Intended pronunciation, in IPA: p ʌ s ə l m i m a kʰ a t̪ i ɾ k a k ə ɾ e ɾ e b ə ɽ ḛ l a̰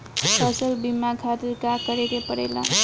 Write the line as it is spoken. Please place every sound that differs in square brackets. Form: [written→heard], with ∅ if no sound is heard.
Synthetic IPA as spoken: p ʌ s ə l [m→b] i m a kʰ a t̪ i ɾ k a k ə ɾ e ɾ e [b→p] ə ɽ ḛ l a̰